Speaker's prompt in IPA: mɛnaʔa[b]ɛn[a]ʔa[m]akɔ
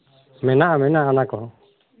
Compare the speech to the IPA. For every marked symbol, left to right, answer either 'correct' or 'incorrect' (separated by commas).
incorrect, correct, incorrect